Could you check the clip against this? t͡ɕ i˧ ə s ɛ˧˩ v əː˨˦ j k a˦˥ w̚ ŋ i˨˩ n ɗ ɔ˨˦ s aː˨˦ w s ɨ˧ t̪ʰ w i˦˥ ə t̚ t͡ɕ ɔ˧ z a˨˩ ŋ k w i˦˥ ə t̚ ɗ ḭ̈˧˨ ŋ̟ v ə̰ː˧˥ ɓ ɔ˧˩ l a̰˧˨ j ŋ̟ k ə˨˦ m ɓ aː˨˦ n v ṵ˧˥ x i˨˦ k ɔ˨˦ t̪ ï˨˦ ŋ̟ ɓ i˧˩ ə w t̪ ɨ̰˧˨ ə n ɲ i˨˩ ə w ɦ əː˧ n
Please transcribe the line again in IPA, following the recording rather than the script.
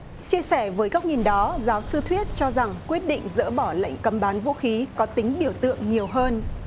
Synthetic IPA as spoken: t͡ɕ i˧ ə s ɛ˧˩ v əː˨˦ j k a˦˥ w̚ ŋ i˨˩ n ɗ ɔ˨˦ z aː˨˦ w s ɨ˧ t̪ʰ w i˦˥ ə t̚ t͡ɕ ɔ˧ z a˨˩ ŋ k w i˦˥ ə t̚ ɗ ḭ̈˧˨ ŋ̟ z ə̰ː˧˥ ɓ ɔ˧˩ l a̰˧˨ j ŋ̟ k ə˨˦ m ɓ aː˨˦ n v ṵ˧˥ x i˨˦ k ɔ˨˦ t̪ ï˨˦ ŋ̟ ɓ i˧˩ ə w t̪ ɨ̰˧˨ ə ŋ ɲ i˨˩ ə w ɦ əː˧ n

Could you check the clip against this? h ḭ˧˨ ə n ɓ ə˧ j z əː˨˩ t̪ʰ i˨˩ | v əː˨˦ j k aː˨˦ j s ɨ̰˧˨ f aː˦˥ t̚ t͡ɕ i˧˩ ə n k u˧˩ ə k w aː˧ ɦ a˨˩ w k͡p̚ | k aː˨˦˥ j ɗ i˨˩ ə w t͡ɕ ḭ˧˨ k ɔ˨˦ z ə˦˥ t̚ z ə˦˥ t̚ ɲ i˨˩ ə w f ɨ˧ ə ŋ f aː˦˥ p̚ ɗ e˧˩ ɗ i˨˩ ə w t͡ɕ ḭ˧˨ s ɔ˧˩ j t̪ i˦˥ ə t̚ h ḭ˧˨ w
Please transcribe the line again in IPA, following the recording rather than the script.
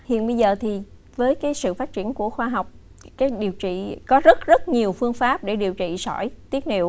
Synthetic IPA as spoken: h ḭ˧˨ ə n ɓ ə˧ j z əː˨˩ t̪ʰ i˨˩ | v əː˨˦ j k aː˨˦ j s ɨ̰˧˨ f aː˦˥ t̚ t͡ɕ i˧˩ ə n k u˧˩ ə x w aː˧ ɦ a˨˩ w k͡p̚ | k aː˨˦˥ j ɗ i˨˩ ə w t͡ɕ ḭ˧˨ k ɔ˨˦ z ə˦˥ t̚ z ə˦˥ t̚ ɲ i˨˩ ə w f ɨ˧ ə ŋ f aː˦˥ p̚ ɗ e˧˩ ɗ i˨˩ ə w t͡ɕ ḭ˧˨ s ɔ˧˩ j t̪ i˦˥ ə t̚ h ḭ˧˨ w

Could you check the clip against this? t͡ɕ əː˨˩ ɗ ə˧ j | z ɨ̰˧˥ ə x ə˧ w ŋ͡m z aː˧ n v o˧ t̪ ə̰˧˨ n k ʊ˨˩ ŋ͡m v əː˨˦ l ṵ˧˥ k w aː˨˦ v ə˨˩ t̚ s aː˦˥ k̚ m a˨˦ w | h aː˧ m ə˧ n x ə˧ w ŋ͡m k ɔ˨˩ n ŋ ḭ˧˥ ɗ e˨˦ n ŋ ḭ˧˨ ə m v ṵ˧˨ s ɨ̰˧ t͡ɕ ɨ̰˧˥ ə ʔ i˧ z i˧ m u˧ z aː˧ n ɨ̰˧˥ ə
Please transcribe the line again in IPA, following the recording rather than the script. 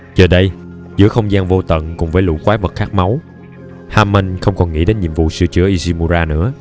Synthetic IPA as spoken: t͡ɕ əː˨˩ ɗ ə˧ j | z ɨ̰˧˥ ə x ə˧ w ŋ͡m z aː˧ n v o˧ t̪ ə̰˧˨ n k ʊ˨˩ ŋ͡m v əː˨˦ l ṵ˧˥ k w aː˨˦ v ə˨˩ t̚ x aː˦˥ k̚ m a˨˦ w | h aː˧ m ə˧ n x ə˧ w ŋ͡m k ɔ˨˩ n ŋ ḭ˧˥ ɗ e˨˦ n ɲ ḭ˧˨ ə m v ṵ˧˨ s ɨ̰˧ t͡ɕ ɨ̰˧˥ ə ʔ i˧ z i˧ m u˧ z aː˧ n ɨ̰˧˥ ə

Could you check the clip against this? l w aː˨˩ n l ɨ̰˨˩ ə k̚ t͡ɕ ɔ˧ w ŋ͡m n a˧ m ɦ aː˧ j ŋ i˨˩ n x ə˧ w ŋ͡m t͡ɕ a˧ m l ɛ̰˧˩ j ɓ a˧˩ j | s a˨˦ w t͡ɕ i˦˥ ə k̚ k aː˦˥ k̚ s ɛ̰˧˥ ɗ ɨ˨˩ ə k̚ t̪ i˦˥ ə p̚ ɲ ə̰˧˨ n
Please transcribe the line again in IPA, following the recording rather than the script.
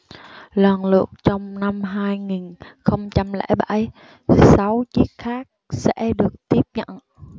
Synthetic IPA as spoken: l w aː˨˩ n l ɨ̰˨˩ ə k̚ t͡ɕ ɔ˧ w ŋ͡m n a˧ m ɦ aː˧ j ŋ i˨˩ n x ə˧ w ŋ͡m t͡ɕ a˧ m l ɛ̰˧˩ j ɓ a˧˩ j | s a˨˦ w t͡ɕ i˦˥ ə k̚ x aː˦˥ k̚ s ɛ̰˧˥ ɗ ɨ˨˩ ə k̚ t̪ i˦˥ ə p̚ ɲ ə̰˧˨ n

